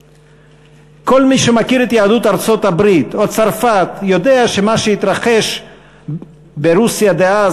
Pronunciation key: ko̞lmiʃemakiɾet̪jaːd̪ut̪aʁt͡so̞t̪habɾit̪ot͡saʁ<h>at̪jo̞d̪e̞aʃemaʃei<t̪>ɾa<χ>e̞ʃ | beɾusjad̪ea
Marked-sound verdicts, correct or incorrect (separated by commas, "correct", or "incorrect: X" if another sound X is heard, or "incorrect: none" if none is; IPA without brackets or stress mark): incorrect: f, correct, correct